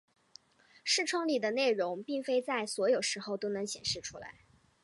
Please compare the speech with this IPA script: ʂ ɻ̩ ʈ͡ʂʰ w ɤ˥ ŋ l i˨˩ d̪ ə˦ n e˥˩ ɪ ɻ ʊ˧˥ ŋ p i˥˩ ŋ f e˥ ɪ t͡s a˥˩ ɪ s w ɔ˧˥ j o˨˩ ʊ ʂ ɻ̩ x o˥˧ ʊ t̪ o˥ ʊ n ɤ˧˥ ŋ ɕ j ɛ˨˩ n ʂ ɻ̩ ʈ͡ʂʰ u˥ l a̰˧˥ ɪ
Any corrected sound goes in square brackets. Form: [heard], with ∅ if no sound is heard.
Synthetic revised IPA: ʂ ɻ̩ ʈ͡ʂʰ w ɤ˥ ŋ l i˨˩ d̪ ə˦ n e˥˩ ɪ ɻ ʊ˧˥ ŋ p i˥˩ ŋ f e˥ ɪ t͡s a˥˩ ɪ s w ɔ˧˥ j o˨˩ ʊ ʂ ɻ̩ x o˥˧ ʊ t̪ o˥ ʊ n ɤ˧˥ ŋ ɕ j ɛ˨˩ n ʂ ɻ̩ ʈ͡ʂʰ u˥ l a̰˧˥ ɪ